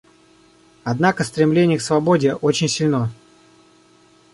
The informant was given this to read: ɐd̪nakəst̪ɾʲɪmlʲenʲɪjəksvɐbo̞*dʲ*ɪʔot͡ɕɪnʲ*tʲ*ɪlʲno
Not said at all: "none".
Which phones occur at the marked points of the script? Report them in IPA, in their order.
dʲ, sʲ

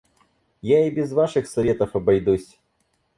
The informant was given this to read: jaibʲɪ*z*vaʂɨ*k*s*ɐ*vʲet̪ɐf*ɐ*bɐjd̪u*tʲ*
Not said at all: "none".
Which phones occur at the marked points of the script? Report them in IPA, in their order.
z, x, ɐ, ɐ, sʲ

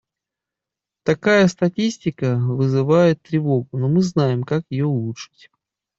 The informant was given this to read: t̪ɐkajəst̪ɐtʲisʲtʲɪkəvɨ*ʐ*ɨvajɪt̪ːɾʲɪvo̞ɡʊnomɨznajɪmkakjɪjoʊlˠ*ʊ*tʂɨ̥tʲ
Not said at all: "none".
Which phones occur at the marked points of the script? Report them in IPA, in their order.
z, u

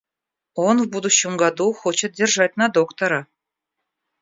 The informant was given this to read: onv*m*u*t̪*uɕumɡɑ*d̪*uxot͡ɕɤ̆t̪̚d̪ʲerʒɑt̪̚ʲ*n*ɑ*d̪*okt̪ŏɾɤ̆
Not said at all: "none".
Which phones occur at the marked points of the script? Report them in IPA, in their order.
b, d̪, d̪, n, d̪

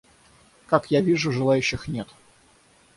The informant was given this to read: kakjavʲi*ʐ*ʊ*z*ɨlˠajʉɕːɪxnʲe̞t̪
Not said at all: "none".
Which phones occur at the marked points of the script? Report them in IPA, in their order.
ʐ, ʐ

